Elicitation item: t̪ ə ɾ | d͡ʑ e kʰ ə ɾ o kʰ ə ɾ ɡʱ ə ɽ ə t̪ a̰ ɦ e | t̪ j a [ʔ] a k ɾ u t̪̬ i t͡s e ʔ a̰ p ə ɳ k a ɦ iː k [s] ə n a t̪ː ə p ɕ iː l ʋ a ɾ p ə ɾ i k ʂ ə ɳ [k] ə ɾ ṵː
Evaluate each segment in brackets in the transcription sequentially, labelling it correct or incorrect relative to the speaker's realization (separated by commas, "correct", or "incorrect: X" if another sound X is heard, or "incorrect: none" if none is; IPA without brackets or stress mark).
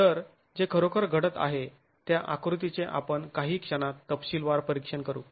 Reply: correct, incorrect: ʂ, correct